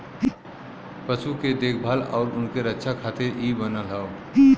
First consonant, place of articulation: labial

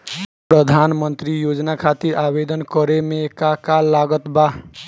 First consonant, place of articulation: labial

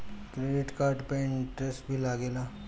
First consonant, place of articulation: velar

